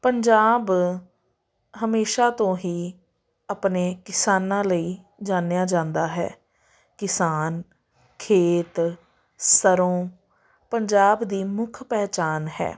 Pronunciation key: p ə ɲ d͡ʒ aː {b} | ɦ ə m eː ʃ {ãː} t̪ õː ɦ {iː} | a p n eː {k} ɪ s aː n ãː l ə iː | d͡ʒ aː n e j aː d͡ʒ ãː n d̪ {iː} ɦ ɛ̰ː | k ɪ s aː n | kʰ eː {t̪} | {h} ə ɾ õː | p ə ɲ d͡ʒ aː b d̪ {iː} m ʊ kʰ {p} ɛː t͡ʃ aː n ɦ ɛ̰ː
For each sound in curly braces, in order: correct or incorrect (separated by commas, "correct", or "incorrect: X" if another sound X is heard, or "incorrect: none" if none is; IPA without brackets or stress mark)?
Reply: correct, incorrect: aː, correct, correct, incorrect: aː, correct, incorrect: s, correct, correct